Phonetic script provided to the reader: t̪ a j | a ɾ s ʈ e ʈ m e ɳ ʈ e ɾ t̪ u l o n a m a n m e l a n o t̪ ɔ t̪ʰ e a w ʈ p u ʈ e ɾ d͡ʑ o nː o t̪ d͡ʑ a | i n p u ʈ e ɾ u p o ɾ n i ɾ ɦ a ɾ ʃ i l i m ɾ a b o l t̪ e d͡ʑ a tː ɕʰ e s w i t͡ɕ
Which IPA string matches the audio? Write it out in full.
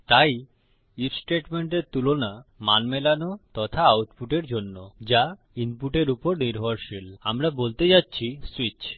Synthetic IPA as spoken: t̪ a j | i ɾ s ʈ e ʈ m e ɳ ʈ e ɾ t̪ u l o n a m a n m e l a n o t̪ ɔ t̪ʰ a a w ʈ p u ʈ e ɾ d͡ʑ o nː o d͡ʑ a | i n p u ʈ e ɾ u p o ɾ n i ɾ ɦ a ɾ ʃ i l a m ɾ a b o l t̪ e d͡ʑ a tː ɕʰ i s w i t͡ɕ